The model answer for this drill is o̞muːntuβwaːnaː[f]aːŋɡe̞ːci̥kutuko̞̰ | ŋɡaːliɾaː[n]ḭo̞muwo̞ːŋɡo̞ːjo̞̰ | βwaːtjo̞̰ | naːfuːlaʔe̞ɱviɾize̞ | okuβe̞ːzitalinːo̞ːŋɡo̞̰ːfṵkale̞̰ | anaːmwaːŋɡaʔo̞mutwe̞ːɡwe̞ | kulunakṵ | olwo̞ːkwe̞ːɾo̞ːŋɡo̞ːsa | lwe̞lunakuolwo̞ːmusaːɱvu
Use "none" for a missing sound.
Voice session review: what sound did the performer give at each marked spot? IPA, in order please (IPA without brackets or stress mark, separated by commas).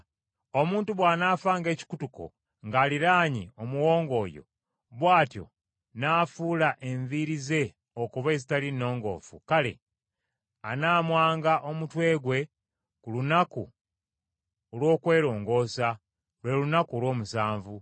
f, ɲ